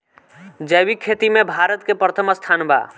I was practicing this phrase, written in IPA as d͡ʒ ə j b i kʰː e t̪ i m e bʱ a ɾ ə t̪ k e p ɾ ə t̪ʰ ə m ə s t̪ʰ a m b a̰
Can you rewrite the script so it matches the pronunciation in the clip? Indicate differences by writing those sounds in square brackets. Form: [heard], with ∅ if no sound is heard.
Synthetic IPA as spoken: d͡ʒ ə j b i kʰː e t̪ i m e bʱ a ɾ ə t̪ k e p ɾ ə t̪ʰ ə m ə s t̪ʰ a [n] b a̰